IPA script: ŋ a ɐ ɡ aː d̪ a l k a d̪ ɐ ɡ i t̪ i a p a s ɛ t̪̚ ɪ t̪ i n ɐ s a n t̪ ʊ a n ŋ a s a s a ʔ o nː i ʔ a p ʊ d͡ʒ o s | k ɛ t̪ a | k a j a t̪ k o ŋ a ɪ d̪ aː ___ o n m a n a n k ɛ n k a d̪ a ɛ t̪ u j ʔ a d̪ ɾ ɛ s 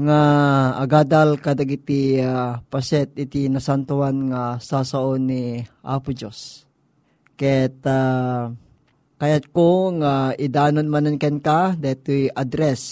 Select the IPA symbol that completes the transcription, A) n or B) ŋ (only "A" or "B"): A